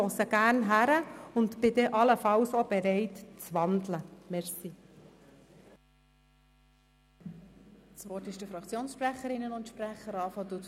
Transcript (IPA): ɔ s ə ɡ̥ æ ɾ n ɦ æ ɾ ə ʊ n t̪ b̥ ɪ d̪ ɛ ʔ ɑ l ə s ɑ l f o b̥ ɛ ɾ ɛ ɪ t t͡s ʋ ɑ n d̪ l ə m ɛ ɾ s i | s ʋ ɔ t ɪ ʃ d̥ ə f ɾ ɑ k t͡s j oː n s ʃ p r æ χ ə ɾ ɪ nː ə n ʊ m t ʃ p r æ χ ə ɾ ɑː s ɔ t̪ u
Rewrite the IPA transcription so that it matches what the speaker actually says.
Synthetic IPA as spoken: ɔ s ə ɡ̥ æ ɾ n ɦ æ ɾ ə ʊ n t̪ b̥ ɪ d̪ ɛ ʔ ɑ l ə f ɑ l s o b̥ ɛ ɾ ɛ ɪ t t͡s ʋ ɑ n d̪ l ə m ɛ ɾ s i | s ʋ ɔ t ɪ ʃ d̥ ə f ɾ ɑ k t͡s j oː n s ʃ p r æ χ ə ɾ ɪ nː ə n ʊ n t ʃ p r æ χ ə ɾ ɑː f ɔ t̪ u

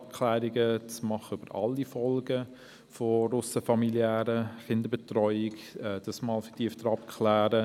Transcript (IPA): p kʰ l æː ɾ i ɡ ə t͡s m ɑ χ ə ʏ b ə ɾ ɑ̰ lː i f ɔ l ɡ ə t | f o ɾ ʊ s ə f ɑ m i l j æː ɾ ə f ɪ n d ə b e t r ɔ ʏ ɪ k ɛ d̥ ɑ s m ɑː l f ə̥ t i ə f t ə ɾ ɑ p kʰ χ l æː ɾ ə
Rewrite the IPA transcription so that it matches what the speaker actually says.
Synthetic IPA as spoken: p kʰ l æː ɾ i ɡ ə t͡s m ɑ χ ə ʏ b ə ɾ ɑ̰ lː i f ɔ l ɡ ə | f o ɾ ʊ s ə f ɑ m i l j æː ɾ ə χ ɪ n d ə b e t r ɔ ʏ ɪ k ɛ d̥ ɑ s m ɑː l f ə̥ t i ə f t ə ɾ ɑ p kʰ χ l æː ɾ ə

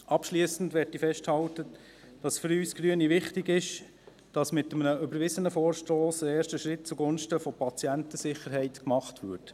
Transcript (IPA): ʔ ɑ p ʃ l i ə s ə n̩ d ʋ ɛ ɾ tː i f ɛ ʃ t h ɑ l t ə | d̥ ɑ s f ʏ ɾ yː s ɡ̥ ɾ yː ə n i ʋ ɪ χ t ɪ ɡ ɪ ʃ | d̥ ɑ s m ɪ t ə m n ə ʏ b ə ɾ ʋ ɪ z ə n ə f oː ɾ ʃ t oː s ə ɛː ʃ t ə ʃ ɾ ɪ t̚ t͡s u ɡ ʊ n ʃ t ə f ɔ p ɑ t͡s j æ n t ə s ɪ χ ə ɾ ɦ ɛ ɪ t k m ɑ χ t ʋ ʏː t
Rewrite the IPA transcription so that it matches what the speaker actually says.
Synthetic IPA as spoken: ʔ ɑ p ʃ l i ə s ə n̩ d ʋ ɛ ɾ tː i f ɛ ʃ t h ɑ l t ə | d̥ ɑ s f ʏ ɾ yː s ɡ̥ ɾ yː ə n i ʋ ɪ χ t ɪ ɡ ɪ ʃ | d̥ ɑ s m ɪ t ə m n ə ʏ b ə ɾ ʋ ɪ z ə n ə f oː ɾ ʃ t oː s ə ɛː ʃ t ə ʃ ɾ ɪ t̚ t͡s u ɡ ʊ n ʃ t ə f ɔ p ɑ t͡s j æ n t ə s ɪ χ ə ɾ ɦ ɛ ɪ t k m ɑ χ t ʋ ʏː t

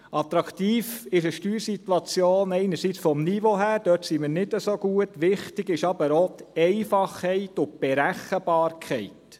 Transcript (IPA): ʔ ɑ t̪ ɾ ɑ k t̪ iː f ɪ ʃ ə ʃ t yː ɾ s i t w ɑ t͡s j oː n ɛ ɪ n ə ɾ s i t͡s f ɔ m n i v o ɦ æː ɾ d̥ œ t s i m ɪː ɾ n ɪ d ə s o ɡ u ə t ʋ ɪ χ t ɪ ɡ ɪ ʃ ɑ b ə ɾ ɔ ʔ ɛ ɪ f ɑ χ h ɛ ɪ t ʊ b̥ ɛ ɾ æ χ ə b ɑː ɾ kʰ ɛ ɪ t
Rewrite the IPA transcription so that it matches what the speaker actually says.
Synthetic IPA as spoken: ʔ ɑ t̪ ɾ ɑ k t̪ iː f ɪ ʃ ə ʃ t yː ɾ s i t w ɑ t͡s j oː n ɛ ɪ n ə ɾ s i t͡s f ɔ m n i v o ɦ æː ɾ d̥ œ t s i m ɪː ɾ n ɪ d ə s o ɡ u ə t ʋ ɪ χ t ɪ ɡ ɪ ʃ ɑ b ə ɾ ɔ t ɛ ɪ f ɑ χ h ɛ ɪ t ʊ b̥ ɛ ɾ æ χ ə b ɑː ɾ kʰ ɛ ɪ t

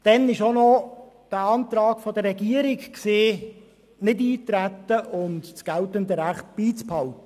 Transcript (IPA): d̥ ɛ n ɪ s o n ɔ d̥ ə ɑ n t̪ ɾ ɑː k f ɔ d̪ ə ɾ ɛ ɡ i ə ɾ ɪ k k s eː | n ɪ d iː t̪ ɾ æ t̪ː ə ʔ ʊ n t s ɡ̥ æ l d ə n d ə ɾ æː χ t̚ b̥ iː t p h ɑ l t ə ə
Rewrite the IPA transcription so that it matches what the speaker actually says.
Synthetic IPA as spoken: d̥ ɛ n ɪ ʃ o n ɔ d̥ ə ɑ n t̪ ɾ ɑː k f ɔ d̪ ə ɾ ɛ ɡ i ə ɾ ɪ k k s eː | n ɪ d iː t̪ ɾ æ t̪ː ə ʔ ʊ n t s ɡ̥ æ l t ə n d ə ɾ æ χ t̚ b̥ iː t͡s p h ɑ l t ə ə

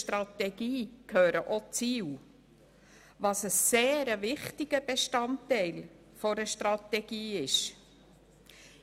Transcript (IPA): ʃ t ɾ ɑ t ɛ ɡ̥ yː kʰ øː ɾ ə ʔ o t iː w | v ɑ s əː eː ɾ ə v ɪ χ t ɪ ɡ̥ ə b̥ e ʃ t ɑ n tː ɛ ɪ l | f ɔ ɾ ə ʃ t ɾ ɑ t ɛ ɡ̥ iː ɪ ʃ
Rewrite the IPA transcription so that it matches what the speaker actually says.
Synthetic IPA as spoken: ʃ t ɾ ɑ t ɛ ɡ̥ iː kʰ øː ɾ ə ʔ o t͡s iː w | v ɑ s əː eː ɾ ə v ɪ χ t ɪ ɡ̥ ə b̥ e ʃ t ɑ n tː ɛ ɪ l | f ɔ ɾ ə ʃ t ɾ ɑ t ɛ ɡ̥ iː ɪ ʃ

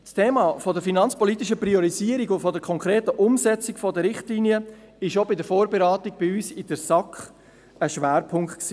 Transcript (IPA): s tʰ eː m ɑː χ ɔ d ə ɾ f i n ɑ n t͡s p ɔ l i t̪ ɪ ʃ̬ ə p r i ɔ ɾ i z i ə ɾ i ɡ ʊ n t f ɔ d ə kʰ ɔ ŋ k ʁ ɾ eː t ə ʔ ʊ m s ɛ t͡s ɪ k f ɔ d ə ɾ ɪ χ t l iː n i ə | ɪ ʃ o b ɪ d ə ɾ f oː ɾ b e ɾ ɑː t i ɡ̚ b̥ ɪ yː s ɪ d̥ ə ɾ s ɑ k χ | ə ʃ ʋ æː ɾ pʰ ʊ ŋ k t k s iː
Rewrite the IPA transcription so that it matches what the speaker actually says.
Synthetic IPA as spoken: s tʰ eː m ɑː f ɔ d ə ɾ f i n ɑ n t͡s p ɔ l i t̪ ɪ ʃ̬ ə p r i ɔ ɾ i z i ə ɾ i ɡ ʊ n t f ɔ d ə kʰ ɔ ŋ k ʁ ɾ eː t ə ʔ ʊ m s ɛ t͡s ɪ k f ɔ d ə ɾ ɪ χ t l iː n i ə | ɪ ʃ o b ɪ d ə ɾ f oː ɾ b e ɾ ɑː t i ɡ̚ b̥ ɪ yː s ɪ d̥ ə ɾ s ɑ k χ | ə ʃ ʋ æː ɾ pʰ ʊ ŋ k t k s iː

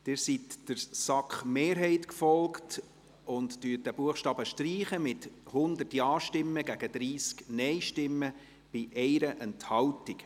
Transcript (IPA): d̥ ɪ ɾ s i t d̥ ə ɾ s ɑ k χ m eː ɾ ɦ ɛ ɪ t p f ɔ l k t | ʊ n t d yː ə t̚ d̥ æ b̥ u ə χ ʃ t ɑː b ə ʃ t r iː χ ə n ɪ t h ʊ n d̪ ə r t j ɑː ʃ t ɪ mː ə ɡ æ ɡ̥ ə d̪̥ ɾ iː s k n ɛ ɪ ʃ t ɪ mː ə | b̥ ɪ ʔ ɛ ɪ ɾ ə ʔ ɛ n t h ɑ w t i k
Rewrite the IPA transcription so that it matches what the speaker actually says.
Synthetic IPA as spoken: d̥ ɪ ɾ s i t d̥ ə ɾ s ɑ k χ m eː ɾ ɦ ɛ ɪ t k f ɔ l k t | ʊ n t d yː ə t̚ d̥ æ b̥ u ə χ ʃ t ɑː b ə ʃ t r iː χ ə m ɪ t h ʊ n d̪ ə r t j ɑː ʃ t ɪ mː ə ɡ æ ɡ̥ ə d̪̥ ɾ iː s k n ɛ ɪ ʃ t ɪ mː ə | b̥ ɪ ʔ ɛ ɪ ɾ ə ʔ ɛ n t h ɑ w t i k

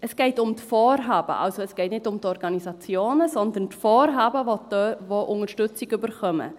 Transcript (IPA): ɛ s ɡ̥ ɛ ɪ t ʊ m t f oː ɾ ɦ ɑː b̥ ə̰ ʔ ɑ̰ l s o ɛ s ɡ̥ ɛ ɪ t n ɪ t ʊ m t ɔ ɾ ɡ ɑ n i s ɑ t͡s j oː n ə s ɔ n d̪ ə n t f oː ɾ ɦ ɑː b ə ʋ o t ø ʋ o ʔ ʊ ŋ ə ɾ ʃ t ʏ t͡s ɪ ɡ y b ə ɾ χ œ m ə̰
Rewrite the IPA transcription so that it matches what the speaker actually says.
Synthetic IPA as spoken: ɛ s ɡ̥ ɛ ɪ t ʊ m t f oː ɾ ɦ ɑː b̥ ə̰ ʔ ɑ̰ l s o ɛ s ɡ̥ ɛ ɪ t n ɪ t ʊ m t ɔ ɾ ɡ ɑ n i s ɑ t͡s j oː n ə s ɔ n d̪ ə n t f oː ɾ ɦ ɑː b ə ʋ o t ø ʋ o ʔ ʊ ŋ ə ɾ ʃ t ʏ t͡s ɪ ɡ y b ə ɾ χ œ m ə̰

